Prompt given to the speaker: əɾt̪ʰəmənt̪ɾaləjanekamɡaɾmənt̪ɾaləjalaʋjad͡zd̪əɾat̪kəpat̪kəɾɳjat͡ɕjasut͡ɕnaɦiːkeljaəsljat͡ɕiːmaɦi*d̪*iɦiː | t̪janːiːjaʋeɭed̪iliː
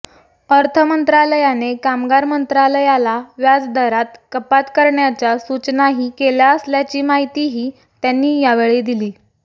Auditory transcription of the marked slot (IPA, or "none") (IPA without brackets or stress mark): t̪